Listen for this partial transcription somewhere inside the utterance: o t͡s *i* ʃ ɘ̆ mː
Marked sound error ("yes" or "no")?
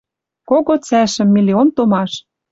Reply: yes